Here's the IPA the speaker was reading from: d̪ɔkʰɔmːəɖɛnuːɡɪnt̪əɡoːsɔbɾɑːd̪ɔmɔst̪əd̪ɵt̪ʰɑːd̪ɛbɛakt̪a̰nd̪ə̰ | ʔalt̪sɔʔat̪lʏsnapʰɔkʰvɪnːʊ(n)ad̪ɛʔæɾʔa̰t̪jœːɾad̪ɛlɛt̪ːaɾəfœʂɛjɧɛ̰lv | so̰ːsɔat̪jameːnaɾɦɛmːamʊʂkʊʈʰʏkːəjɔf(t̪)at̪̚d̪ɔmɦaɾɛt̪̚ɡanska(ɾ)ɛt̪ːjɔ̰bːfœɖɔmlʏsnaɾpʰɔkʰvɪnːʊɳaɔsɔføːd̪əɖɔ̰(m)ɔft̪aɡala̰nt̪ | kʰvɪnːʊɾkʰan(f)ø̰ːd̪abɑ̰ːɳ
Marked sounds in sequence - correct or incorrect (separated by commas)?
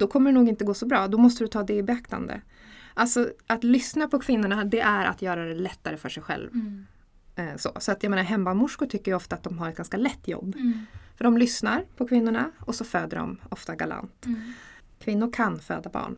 incorrect, correct, incorrect, correct, correct